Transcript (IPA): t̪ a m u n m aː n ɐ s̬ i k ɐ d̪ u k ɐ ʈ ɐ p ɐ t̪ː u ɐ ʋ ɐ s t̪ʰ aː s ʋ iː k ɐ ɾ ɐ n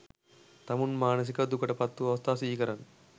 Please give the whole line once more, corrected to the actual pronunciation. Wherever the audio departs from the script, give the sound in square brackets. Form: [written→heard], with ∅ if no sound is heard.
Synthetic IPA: t̪ [a→ɐ] m u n m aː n ɐ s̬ i k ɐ d̪ u k ɐ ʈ ɐ p ɐ t̪ː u ɐ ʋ ɐ s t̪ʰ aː s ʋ iː k ɐ ɾ ɐ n